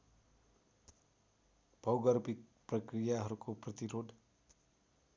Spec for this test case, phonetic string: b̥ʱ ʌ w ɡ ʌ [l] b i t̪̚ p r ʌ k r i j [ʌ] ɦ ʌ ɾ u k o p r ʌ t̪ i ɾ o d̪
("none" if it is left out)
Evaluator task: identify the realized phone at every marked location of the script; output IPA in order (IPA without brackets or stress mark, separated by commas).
r, a